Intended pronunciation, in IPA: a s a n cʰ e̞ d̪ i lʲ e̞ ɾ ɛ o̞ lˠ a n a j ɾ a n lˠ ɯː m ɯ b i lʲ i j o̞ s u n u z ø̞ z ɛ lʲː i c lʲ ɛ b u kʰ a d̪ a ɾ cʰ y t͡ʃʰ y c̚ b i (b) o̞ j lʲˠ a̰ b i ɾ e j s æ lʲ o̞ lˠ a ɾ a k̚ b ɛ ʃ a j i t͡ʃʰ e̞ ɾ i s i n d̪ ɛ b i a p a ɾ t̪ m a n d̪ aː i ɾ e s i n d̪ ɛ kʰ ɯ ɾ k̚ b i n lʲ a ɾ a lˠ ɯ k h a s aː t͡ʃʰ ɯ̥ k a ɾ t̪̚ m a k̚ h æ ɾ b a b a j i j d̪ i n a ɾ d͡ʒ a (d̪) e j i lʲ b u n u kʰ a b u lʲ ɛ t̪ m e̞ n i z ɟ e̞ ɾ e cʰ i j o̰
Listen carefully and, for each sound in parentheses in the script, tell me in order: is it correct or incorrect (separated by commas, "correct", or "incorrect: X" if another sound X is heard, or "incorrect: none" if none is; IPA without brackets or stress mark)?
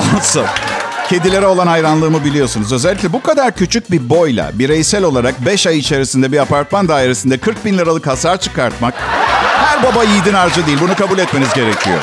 correct, correct